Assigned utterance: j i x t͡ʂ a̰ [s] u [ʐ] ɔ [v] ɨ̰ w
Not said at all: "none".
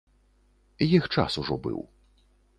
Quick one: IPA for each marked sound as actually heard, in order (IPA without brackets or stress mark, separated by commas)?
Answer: s, ʐ, b